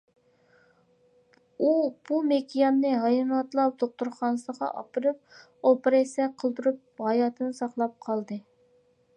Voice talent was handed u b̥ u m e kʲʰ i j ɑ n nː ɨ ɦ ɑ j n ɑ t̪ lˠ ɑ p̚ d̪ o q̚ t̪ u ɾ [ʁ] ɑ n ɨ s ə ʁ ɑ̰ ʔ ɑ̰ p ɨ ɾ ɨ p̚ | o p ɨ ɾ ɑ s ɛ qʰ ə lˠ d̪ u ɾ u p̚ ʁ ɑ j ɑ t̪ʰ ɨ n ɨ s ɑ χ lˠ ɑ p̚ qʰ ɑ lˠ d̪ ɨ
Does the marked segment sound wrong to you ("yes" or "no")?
yes